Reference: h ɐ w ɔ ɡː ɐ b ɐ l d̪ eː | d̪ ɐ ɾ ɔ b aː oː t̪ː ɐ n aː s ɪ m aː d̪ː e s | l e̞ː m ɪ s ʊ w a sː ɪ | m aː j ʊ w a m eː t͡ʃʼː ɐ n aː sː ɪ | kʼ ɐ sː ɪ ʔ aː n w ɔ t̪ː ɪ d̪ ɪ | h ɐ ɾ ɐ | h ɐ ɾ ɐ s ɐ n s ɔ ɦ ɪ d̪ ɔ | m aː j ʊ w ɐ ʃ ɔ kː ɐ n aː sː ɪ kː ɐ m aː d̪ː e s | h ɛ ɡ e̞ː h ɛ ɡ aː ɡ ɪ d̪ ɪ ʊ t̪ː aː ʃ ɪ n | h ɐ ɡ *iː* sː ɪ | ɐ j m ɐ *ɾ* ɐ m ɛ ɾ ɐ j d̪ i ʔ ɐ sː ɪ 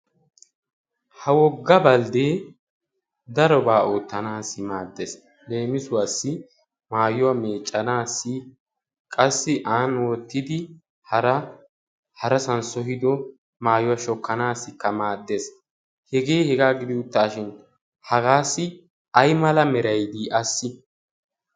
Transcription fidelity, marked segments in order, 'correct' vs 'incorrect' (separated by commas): incorrect, incorrect